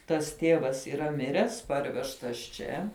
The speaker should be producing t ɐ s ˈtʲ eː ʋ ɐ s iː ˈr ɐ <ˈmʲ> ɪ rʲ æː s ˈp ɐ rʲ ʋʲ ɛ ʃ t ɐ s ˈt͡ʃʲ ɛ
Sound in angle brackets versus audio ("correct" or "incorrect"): correct